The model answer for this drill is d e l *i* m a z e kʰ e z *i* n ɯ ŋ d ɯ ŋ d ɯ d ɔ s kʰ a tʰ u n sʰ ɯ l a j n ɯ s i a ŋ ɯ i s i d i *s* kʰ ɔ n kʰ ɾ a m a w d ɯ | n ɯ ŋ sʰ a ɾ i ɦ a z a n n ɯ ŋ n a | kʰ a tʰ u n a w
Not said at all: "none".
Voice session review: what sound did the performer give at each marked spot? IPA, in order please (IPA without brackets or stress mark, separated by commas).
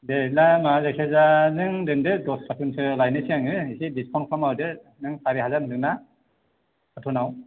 a, a, s